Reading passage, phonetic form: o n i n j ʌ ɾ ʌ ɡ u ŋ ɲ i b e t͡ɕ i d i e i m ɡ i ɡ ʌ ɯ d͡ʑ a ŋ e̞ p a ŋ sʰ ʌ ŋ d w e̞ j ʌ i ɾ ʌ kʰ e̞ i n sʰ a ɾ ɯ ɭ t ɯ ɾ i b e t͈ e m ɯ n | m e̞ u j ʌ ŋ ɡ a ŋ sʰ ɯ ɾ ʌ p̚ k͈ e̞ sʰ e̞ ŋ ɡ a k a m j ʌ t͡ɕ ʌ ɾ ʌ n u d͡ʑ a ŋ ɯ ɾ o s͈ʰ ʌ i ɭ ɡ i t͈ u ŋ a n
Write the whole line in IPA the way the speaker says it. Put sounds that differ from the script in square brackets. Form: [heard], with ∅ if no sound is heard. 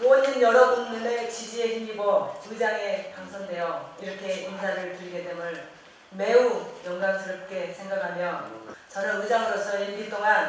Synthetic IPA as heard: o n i n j ʌ ɾ ʌ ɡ u ŋ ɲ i [m] e t͡ɕ i [d͡ʑ] i e i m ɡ i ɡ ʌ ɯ d͡ʑ a ŋ e̞ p a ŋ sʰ ʌ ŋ d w e̞ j ʌ i ɾ ʌ kʰ e̞ i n sʰ a ɾ ɯ ɭ t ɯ ɾ i [ɡ] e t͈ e m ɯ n | m e̞ u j ʌ ŋ ɡ a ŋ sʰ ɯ ɾ ʌ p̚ k͈ e̞ sʰ e̞ ŋ ɡ a [kʰ] a m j ʌ t͡ɕ ʌ ɾ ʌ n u d͡ʑ a ŋ ɯ ɾ o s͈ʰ ʌ i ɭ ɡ i t͈ [o] ŋ a n